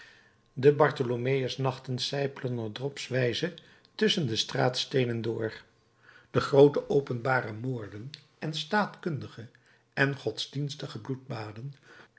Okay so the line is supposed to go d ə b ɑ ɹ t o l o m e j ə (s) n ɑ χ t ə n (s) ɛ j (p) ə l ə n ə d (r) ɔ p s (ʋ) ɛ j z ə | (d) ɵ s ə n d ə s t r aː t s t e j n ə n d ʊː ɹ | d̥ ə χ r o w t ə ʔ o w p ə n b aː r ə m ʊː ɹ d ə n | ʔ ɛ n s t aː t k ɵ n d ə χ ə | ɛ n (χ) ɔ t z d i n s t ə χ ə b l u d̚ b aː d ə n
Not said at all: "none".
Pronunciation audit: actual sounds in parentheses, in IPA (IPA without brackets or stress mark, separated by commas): s, s, p, r, ʋ, t, χ